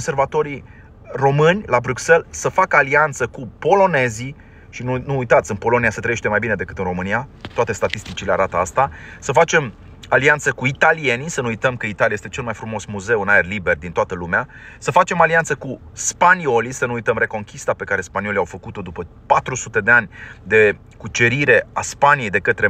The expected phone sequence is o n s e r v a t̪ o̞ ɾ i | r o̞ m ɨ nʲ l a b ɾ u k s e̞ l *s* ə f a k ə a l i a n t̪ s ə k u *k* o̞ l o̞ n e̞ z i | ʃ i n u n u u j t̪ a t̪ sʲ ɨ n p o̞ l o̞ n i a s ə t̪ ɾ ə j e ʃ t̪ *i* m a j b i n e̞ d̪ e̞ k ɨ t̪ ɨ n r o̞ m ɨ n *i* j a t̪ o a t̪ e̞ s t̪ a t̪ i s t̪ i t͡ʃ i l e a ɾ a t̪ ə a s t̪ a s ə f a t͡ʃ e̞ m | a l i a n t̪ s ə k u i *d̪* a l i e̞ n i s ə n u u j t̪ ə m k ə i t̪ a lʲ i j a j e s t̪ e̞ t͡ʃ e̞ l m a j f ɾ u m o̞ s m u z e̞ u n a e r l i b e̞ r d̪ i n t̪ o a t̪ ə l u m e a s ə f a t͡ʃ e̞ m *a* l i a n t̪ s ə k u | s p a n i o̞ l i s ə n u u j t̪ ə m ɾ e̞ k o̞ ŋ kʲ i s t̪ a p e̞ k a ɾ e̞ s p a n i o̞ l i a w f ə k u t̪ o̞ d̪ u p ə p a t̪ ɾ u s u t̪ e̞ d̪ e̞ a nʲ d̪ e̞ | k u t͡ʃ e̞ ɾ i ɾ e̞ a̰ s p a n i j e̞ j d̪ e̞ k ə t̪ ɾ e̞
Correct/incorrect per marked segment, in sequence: correct, incorrect, incorrect, correct, incorrect, correct

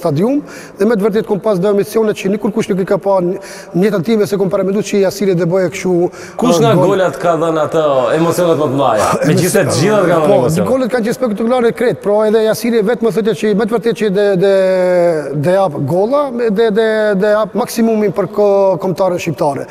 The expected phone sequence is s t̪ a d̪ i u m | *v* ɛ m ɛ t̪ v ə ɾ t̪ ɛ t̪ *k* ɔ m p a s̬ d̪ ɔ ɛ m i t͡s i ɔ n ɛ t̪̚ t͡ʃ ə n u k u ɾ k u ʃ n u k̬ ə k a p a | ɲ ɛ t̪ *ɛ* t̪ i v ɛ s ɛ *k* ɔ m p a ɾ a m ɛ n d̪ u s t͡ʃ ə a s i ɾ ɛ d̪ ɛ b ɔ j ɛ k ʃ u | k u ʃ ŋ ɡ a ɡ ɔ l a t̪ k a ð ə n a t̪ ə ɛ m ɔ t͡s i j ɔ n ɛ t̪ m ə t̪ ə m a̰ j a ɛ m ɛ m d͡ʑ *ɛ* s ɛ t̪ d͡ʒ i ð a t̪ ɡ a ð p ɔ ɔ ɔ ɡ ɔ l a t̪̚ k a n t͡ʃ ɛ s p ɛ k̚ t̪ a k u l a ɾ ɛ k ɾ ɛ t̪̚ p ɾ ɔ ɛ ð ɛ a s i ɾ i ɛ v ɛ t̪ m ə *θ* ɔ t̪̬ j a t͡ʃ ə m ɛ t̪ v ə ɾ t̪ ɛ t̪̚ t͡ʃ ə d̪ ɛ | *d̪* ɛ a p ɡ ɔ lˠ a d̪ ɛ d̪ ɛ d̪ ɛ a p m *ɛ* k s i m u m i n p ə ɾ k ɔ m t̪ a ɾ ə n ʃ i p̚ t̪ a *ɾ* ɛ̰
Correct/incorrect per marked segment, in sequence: incorrect, correct, incorrect, correct, incorrect, correct, correct, incorrect, correct

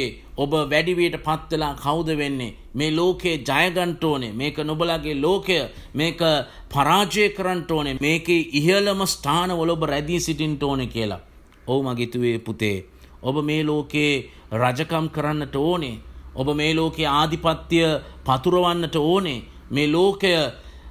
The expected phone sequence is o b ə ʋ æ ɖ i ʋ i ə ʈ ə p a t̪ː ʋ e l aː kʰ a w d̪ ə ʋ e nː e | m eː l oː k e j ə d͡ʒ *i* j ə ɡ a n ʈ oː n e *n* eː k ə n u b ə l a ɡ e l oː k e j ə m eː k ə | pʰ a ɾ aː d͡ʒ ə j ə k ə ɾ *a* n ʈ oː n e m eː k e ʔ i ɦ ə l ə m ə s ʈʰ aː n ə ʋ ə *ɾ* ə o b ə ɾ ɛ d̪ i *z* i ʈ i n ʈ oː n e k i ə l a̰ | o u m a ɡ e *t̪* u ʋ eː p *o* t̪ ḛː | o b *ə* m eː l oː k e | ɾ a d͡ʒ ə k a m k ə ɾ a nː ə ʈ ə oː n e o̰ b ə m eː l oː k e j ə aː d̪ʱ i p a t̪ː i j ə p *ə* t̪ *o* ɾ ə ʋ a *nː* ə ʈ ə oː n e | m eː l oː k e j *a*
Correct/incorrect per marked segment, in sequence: incorrect, incorrect, correct, incorrect, incorrect, correct, incorrect, correct, incorrect, incorrect, correct, incorrect

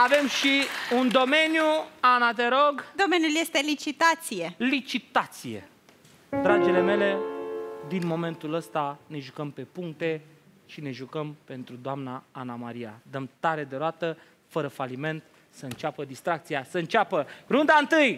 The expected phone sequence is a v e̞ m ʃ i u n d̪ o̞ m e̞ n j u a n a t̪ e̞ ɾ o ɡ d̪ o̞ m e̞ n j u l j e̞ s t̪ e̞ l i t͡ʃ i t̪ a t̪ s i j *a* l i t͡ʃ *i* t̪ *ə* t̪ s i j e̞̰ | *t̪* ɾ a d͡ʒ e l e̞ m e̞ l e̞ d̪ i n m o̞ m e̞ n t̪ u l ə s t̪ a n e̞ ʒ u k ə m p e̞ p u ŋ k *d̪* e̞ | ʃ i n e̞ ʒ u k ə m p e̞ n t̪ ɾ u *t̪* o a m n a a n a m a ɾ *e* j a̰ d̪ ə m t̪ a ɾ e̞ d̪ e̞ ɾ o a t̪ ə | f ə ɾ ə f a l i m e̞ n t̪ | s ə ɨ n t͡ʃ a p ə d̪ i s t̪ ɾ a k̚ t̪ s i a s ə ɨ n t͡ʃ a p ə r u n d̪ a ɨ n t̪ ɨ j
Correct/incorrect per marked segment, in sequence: incorrect, correct, incorrect, incorrect, incorrect, incorrect, incorrect

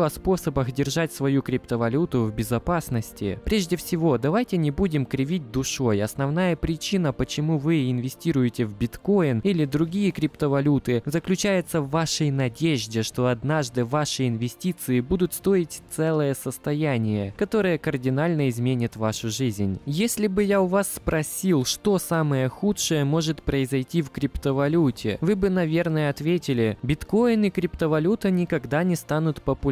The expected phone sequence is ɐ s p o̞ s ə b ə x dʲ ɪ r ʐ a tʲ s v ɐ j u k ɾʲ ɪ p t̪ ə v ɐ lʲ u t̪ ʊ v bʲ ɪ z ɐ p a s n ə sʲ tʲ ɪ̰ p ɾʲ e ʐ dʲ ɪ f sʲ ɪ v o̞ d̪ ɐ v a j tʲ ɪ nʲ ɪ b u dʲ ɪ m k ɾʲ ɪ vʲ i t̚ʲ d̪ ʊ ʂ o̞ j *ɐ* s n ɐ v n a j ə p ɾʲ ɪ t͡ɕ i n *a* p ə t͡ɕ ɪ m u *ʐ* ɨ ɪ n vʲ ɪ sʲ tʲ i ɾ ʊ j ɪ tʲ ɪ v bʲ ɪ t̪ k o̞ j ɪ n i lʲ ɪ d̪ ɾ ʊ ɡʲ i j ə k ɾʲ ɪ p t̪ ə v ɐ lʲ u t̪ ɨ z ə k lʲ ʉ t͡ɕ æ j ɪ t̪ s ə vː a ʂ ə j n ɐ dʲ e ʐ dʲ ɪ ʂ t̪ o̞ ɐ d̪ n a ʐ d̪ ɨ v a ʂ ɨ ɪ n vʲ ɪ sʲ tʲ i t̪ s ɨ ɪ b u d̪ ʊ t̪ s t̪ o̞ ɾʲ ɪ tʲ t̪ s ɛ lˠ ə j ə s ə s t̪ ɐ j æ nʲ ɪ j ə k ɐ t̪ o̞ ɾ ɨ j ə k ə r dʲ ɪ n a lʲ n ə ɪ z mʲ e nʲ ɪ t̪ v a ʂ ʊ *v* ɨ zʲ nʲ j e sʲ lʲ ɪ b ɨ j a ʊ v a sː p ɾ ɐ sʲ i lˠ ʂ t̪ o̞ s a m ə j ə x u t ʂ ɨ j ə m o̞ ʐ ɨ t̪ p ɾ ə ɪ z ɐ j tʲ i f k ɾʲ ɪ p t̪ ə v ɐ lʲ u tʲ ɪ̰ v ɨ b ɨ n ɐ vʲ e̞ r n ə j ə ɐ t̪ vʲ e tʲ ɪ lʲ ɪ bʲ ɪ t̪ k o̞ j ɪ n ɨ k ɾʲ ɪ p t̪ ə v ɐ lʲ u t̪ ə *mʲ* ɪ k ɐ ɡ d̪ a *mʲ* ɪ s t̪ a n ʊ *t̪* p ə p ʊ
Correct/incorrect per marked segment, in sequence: correct, incorrect, incorrect, incorrect, incorrect, incorrect, correct

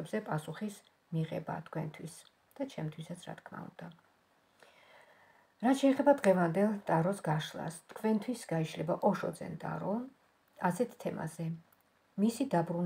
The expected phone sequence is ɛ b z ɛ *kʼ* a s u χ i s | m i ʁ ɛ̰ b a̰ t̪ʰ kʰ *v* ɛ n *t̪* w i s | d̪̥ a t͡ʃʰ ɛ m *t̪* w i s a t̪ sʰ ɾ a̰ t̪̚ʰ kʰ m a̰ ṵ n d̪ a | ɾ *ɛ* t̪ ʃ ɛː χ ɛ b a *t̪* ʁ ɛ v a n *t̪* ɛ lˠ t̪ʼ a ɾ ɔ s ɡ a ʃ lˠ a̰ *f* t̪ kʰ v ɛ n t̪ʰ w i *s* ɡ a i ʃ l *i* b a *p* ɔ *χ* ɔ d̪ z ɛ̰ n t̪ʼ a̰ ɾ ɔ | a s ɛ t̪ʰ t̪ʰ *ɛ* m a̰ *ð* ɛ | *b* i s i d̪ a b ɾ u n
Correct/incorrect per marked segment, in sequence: incorrect, incorrect, incorrect, incorrect, incorrect, incorrect, incorrect, incorrect, correct, incorrect, incorrect, incorrect, correct, incorrect, incorrect

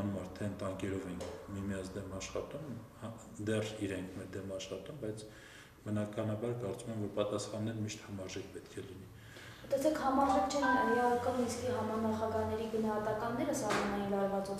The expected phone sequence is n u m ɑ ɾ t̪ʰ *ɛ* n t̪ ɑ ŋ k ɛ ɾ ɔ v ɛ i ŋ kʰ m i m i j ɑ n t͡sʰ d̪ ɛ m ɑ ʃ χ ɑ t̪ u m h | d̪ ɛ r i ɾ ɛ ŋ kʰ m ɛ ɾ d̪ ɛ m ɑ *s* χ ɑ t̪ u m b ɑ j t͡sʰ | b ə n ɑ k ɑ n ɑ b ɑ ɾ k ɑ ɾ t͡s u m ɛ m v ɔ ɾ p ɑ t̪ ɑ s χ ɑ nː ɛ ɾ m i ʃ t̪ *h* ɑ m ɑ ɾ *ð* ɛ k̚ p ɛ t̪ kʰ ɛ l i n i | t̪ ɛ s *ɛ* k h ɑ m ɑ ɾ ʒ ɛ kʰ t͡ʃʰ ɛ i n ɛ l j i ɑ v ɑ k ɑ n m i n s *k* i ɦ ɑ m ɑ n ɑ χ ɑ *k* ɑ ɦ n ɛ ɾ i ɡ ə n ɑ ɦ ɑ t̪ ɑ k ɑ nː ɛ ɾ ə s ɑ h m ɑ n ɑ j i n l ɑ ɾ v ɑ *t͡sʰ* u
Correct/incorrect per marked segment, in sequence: correct, incorrect, correct, incorrect, correct, correct, incorrect, incorrect

